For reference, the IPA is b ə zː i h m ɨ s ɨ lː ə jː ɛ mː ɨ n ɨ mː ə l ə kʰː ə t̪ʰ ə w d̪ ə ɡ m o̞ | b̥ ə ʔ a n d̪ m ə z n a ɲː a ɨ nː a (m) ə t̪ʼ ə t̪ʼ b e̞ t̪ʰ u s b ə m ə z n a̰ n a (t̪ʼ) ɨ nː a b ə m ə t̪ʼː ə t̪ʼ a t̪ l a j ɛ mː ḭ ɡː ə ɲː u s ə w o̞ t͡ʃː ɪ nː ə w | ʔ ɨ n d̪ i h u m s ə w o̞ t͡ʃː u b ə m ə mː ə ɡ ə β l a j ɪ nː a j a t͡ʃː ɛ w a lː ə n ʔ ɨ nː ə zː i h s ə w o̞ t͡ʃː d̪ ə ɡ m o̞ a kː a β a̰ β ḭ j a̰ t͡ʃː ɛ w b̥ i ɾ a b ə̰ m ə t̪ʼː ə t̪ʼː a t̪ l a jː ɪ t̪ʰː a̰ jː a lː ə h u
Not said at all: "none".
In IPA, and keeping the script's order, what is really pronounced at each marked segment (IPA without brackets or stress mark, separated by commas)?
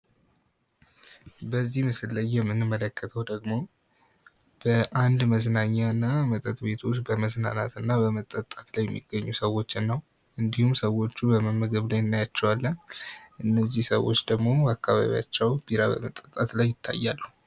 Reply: m, t̪